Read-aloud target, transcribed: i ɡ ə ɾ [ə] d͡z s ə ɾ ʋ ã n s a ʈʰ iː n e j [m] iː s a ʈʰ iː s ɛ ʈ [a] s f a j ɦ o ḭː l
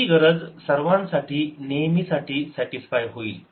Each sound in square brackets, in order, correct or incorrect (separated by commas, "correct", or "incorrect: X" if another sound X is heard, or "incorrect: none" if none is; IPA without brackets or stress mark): correct, correct, incorrect: i